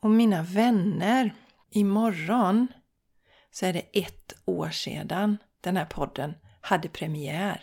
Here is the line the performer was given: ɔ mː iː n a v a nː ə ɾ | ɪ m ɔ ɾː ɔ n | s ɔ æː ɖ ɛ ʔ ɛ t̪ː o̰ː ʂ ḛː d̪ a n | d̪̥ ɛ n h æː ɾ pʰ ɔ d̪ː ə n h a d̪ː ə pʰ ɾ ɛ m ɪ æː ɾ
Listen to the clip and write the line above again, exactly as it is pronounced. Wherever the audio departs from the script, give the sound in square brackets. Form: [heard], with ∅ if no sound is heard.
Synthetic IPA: ɔ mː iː n a v [ɛ] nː ə ɾ | ɪ m ɔ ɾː ɔ n | s ɔ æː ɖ ɛ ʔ ɛ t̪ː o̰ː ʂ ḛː d̪ a n | d̪̥ ɛ n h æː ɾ pʰ ɔ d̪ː ə n h a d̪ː ə pʰ ɾ ɛ m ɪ æː ɾ